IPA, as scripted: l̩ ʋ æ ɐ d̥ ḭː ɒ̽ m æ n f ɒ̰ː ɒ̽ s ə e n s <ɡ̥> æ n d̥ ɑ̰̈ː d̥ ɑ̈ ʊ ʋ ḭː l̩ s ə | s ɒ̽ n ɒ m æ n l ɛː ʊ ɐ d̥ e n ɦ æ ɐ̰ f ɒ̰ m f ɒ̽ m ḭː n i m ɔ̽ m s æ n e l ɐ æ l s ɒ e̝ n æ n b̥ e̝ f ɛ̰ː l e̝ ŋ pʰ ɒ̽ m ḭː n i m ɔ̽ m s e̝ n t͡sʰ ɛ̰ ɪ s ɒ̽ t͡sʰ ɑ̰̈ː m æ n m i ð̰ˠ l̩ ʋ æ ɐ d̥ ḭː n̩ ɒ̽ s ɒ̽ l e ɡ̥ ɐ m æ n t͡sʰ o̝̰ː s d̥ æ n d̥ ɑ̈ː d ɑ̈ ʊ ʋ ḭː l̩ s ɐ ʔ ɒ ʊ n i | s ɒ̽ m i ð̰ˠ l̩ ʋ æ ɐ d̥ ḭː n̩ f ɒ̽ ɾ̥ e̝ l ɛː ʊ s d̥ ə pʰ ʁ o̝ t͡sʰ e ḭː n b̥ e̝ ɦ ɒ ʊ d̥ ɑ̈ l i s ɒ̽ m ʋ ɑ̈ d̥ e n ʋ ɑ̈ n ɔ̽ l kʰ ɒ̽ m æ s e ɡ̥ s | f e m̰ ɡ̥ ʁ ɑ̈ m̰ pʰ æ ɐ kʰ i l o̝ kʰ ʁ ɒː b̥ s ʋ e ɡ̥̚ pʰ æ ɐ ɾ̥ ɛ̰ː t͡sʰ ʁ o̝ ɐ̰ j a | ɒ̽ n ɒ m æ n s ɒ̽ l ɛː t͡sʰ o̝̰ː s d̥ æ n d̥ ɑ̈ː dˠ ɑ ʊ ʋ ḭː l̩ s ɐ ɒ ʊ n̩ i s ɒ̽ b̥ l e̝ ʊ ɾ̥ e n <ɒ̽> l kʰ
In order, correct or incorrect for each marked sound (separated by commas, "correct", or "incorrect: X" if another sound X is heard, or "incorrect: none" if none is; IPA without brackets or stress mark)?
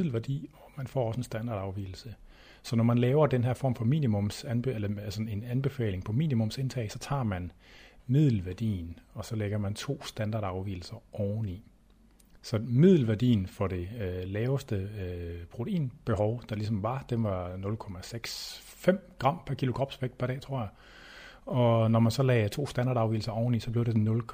incorrect: d̥, incorrect: ɔ̽